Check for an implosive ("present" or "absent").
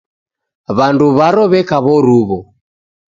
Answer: absent